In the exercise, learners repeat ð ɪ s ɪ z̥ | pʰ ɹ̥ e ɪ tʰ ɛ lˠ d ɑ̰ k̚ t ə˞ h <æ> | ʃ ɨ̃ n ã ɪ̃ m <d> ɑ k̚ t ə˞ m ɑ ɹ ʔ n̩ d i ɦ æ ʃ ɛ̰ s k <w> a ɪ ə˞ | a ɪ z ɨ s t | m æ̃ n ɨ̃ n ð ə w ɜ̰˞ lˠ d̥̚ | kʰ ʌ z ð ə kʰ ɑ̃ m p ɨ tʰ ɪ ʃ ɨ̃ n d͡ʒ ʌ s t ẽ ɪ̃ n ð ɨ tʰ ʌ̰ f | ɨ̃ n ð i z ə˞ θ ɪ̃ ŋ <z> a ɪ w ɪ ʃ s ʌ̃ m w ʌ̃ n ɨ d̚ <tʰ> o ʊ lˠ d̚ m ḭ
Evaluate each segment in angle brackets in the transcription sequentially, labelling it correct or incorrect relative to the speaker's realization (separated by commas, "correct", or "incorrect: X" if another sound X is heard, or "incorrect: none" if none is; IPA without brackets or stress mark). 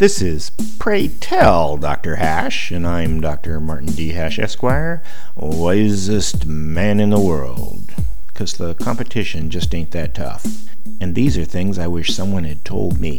correct, correct, correct, correct, correct